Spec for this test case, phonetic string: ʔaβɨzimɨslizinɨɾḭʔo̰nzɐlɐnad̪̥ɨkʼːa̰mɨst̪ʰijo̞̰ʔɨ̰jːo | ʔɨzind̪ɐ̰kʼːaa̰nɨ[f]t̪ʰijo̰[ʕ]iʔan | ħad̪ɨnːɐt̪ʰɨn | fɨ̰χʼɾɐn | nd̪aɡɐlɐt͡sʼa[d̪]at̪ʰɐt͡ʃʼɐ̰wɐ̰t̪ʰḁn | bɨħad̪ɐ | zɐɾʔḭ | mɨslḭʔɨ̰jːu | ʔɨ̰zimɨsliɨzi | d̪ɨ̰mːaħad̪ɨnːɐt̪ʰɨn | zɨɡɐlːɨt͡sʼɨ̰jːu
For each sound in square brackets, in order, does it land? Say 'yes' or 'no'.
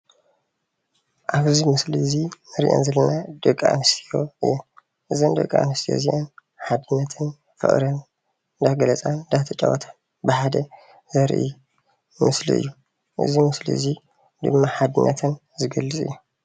no, no, yes

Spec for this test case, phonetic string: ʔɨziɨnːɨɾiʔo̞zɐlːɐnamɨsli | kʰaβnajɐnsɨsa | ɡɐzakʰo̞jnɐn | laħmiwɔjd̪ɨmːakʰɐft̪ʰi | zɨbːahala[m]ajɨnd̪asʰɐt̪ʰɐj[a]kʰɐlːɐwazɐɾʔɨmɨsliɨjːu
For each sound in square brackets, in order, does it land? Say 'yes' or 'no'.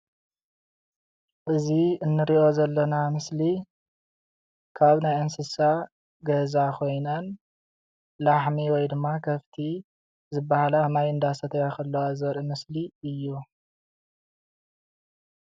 yes, yes

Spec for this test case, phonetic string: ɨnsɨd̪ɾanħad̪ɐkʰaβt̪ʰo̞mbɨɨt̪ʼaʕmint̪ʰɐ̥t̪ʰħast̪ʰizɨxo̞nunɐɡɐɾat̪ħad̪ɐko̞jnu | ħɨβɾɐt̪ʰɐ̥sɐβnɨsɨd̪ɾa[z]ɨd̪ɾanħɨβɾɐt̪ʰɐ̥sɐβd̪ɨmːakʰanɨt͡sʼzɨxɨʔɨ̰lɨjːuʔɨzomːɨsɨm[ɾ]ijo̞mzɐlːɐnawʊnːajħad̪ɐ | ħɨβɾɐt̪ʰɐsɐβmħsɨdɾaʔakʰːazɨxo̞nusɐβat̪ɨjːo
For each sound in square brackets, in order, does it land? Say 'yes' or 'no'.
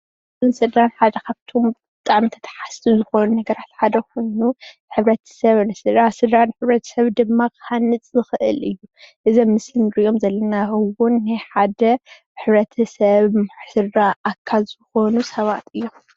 no, yes

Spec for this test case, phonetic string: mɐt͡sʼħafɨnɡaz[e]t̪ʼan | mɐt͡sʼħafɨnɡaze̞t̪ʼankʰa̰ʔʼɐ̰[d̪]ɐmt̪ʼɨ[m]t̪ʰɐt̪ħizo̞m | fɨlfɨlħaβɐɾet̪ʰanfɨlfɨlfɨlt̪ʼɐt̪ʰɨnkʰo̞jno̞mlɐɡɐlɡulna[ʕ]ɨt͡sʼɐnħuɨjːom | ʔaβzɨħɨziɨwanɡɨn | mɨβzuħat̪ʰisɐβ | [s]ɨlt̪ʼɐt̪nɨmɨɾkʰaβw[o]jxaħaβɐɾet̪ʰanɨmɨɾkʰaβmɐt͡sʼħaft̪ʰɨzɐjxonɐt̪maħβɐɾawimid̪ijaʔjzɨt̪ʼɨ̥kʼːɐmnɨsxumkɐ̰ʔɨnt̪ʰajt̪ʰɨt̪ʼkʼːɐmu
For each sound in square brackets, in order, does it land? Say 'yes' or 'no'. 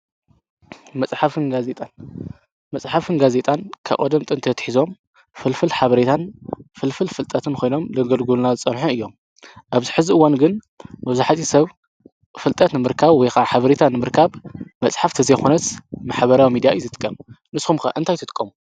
yes, yes, no, no, no, no

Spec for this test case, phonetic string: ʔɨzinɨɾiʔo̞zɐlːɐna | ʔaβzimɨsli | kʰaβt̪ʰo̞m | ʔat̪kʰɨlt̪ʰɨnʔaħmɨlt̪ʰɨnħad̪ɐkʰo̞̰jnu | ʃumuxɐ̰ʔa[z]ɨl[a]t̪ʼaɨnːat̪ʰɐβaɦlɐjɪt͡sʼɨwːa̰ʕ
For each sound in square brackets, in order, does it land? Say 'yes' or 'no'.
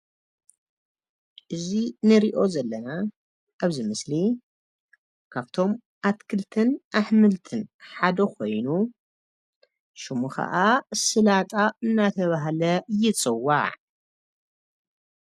no, yes

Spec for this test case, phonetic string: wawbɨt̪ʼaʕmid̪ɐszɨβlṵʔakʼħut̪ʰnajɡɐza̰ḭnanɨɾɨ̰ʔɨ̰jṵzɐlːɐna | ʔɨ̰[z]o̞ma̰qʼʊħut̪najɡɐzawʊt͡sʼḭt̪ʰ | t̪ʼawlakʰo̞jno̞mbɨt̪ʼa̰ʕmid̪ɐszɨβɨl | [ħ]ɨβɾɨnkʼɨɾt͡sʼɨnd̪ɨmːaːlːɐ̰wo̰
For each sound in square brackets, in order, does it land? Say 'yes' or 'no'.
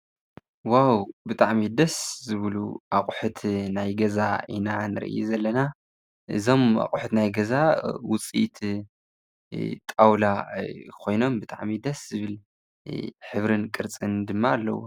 yes, yes

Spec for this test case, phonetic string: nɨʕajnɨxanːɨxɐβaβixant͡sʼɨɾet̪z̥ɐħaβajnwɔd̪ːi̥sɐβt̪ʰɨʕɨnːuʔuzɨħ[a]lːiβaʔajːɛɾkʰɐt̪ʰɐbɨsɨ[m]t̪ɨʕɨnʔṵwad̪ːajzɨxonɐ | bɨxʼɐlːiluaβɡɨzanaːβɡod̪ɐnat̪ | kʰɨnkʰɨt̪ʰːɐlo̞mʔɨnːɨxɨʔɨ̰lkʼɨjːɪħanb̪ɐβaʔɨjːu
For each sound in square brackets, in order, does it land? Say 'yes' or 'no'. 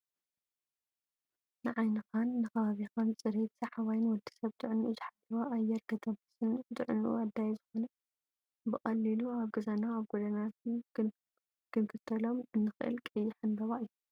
yes, no

